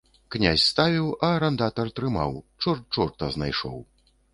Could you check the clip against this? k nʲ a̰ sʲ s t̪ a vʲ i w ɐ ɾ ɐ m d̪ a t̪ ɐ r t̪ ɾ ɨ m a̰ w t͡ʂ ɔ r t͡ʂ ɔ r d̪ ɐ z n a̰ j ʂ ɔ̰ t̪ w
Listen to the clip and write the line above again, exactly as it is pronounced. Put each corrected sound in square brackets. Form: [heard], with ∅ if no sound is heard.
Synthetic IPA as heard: k nʲ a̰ sʲ s t̪ a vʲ i w ɐ ɾ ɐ [n] d̪ a t̪ ɐ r t̪ ɾ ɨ m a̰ w t͡ʂ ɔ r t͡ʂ ɔ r [t̪] ɐ z n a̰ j ʂ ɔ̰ [∅] w

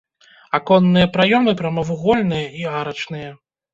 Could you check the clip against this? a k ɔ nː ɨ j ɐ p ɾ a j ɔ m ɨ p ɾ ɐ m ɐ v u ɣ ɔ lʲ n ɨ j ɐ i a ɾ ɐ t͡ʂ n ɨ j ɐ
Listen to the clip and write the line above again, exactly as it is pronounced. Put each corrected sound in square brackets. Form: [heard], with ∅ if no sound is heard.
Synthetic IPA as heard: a k ɔ nː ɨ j ɐ p ɾ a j ɔ m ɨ p ɾ ɐ m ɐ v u ɣ ɔ lʲ n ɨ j ɐ i a ɾ ɐ t͡ʂ n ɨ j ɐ

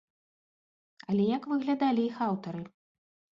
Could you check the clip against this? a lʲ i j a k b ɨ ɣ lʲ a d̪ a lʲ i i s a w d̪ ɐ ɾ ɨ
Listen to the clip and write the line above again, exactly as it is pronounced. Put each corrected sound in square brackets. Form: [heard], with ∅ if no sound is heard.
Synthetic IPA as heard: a lʲ [ɛ] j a k [v] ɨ ɣ lʲ a d̪ a lʲ i i [x] a w [t̪] ɐ ɾ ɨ

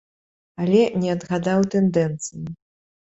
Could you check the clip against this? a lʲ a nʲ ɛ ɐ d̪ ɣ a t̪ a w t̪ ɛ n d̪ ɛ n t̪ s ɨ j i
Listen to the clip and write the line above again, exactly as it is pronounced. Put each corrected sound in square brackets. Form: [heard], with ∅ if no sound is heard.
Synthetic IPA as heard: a lʲ [ɛ] nʲ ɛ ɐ d̪ ɣ a [d̪] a w t̪ ɛ n d̪ ɛ n t̪ s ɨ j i

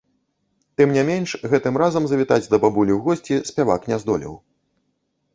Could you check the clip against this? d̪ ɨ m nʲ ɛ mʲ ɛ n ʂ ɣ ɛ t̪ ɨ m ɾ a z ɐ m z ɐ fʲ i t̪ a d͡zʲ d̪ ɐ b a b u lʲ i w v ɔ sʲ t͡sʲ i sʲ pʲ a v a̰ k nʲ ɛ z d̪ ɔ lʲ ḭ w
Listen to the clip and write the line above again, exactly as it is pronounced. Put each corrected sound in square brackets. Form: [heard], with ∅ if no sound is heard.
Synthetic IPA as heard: [t̪] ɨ m nʲ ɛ mʲ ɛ n ʂ ɣ ɛ t̪ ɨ m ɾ a z ɐ m z ɐ [vʲ] i t̪ a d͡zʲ d̪ ɐ b a b u lʲ i w [ɣ] ɔ sʲ t͡sʲ i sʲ pʲ a v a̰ k nʲ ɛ z d̪ ɔ lʲ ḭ w

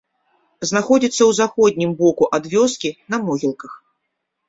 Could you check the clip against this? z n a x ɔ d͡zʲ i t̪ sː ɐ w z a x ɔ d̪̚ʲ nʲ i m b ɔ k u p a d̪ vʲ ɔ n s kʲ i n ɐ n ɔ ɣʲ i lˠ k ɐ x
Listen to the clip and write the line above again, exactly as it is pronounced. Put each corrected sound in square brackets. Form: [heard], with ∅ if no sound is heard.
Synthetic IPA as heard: z n a x ɔ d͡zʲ i t̪ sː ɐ w z a x ɔ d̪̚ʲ nʲ i m b ɔ k u [ʔ] a d̪ vʲ ɔ [∅] s kʲ i n ɐ [m] ɔ ɣʲ i lˠ k ɐ x

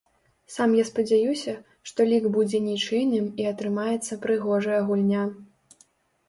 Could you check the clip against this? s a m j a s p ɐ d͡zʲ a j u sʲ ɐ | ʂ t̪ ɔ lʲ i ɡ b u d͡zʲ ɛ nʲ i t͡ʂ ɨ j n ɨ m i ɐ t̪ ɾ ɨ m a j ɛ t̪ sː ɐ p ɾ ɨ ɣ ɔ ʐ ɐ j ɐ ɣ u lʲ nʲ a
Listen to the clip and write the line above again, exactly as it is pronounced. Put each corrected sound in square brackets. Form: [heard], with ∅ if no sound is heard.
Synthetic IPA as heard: s a m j a s p ɐ d͡zʲ a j u sʲ ɐ | ʂ t̪ ɔ lʲ i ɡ b u d͡zʲ ɛ nʲ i t͡ʂ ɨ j n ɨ m i ɐ t̪ ɾ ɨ m a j ɛ t̪ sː ɐ p ɾ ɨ ɣ ɔ ʐ ɐ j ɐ ɣ u lʲ nʲ a

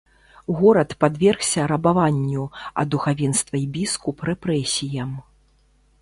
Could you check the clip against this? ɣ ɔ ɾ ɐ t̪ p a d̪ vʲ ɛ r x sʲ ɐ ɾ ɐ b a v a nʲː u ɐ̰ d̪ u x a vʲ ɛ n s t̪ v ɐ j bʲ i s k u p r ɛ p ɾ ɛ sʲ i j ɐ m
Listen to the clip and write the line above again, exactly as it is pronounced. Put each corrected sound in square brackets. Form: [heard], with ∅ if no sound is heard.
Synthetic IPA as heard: ɣ ɔ ɾ ɐ t̪ p a d̪ vʲ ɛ r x sʲ ɐ ɾ ɐ b a v a nʲː u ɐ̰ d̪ u x a vʲ ɛ n s t̪ v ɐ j bʲ i s k u p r ɛ p ɾ ɛ sʲ i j ɐ m

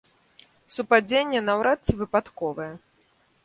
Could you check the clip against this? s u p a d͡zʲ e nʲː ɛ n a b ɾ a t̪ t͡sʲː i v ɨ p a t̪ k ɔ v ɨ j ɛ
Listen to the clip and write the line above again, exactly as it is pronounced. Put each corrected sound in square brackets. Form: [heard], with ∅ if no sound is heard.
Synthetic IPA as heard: s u p a d͡zʲ e nʲː ɛ n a [w] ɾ a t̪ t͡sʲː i v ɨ p a t̪ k ɔ v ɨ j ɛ

